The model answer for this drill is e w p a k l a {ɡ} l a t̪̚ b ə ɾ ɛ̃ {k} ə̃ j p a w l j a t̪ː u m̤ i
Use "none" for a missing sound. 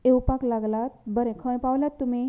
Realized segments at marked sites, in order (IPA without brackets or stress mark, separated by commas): ɡ, kʰ